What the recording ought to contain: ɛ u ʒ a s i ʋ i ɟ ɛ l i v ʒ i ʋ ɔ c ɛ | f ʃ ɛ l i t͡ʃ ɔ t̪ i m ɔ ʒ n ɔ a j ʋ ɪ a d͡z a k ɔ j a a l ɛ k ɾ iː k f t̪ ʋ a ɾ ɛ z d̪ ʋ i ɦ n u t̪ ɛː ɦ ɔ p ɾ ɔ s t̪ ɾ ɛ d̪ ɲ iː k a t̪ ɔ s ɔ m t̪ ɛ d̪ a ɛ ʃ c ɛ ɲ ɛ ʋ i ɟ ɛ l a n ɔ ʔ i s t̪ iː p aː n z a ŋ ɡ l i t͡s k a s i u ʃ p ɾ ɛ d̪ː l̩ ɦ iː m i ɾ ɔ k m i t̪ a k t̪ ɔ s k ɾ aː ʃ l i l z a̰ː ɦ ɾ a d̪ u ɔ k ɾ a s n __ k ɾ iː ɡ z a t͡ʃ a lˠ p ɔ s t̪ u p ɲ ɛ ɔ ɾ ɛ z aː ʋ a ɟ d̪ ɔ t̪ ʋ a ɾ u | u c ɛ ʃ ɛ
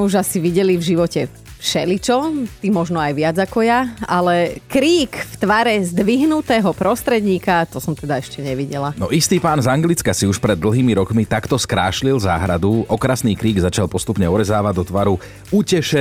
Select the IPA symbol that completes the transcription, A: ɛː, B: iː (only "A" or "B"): B